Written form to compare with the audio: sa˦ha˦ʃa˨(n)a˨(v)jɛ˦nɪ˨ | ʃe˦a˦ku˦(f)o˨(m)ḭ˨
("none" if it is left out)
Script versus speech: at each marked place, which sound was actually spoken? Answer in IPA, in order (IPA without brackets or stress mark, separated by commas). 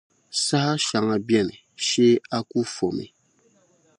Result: ŋ, b, f, m